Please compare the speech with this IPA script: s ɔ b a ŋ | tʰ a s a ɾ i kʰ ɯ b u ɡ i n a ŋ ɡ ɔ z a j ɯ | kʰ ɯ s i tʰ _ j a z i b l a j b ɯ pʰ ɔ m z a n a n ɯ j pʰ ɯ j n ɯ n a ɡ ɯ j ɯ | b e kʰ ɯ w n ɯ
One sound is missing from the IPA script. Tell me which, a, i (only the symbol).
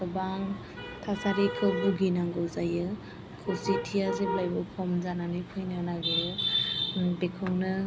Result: i